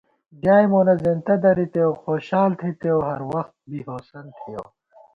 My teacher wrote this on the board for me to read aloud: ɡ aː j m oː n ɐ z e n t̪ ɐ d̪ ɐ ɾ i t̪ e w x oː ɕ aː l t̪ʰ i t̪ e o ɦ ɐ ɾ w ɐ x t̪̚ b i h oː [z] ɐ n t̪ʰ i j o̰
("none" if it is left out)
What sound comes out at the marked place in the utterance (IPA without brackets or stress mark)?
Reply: s